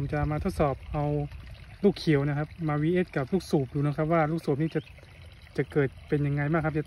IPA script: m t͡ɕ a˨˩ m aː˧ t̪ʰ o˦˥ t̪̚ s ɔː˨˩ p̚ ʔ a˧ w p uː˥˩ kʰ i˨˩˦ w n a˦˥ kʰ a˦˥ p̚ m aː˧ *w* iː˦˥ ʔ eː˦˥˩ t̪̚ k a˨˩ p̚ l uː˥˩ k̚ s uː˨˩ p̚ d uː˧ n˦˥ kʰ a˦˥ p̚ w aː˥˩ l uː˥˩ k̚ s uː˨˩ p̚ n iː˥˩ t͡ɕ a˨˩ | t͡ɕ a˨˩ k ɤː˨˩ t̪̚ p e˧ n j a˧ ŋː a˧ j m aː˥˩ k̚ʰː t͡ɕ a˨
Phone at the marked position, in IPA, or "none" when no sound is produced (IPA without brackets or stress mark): w